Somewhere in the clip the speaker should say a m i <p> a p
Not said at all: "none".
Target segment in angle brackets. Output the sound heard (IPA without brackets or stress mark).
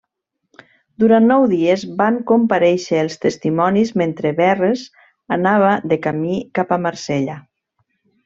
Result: k